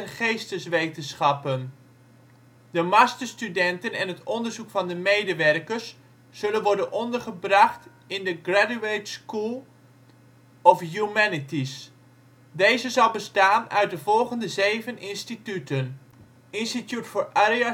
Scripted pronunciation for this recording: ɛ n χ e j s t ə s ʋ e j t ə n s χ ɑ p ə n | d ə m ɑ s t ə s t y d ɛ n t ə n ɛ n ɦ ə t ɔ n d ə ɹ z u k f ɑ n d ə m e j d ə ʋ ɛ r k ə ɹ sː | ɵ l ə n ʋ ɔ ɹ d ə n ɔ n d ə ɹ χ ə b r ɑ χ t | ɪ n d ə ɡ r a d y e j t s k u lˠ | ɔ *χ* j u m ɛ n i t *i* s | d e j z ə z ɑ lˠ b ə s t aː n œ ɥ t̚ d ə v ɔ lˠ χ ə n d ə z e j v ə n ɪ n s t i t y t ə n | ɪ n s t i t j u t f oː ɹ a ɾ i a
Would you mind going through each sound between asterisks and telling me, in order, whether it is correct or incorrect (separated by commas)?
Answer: incorrect, correct